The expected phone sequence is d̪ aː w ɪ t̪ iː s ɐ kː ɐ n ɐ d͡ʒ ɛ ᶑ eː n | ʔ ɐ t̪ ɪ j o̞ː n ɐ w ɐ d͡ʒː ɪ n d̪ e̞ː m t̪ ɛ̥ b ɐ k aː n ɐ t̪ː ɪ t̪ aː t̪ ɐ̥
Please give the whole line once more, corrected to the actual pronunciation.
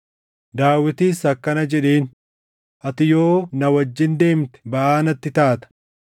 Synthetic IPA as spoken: d̪ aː w ɪ t̪ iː s ɐ kː ɐ n ɐ d͡ʒ ɛ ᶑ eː n | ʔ ɐ t̪ ɪ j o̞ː n ɐ w ɐ d͡ʒː ɪ n d̪ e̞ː m t̪ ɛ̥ b ɐ ʔ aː n ɐ t̪ː ɪ t̪ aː t̪ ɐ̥